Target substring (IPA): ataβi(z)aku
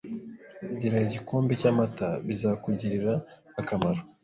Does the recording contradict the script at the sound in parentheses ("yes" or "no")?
no